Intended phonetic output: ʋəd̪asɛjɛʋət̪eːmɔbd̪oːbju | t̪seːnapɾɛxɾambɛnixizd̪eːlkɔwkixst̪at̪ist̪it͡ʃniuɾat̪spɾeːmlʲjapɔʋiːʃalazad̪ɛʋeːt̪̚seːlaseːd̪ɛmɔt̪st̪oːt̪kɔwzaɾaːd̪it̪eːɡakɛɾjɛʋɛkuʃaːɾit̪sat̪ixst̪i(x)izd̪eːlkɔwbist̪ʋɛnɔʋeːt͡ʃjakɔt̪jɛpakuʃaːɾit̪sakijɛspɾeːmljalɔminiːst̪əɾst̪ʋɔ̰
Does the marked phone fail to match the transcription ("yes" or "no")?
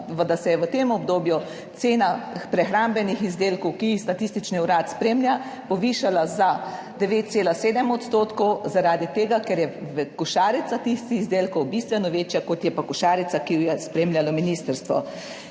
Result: no